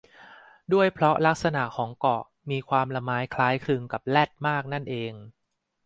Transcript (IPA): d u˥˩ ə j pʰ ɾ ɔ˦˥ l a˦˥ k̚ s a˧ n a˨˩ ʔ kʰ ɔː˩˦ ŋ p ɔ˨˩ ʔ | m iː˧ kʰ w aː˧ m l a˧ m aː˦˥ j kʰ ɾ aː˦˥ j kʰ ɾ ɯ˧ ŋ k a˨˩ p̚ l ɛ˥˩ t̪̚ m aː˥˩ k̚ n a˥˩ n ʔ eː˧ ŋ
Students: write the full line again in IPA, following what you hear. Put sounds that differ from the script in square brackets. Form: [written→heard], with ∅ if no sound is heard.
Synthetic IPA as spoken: d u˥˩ ə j pʰ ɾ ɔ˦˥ l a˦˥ k̚ s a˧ n a˨˩ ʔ kʰ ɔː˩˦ ŋ [p→k] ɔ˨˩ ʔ | m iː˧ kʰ w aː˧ m l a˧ m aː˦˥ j kʰ [ɾ→l] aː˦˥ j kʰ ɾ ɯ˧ ŋ k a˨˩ p̚ l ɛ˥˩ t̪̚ m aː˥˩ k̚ n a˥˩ n ʔ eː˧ ŋ